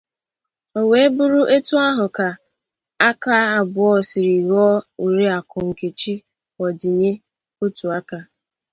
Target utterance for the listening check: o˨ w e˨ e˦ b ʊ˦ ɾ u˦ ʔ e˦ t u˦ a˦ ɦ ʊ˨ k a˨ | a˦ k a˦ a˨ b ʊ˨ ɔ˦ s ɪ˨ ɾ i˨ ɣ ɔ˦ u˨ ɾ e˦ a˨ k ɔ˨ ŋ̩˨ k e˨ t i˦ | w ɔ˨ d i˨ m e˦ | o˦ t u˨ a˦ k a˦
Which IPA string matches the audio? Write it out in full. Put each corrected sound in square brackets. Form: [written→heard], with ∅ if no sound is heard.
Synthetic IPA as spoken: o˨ w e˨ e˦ b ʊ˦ ɾ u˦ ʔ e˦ t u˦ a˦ ɦ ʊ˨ k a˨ | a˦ k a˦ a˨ b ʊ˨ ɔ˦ s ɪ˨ ɾ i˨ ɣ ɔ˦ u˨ ɾ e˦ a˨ k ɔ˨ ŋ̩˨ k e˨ [t→t͡ʃ] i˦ | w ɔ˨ d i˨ [m→ɲ] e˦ | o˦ t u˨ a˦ k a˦